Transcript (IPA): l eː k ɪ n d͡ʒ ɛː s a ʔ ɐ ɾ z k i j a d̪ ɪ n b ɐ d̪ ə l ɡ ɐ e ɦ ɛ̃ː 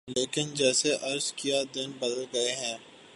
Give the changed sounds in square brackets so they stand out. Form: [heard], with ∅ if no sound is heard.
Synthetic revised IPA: l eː k ɪ n d͡ʒ ɛː s [e] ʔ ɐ ɾ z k i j a d̪ ɪ n b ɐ d̪ ə l ɡ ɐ e ɦ ɛ̃ː